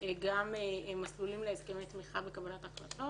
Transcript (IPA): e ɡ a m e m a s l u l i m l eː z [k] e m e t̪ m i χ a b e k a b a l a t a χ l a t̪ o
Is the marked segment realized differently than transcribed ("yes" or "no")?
no